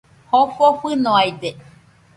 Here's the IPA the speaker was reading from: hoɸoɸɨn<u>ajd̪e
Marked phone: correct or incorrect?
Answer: incorrect